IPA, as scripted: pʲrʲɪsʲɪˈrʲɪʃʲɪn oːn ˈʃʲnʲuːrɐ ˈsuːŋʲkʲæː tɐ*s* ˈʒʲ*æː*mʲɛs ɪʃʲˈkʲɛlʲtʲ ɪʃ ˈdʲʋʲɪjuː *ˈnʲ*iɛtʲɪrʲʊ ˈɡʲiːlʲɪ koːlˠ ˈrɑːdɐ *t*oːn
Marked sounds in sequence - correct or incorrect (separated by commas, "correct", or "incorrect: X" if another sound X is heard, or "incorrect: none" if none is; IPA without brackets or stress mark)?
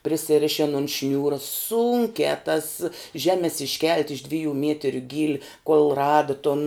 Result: correct, correct, incorrect: mʲ, correct